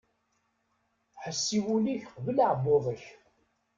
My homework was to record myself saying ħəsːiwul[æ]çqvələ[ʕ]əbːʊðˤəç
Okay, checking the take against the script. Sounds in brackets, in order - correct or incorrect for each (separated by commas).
incorrect, correct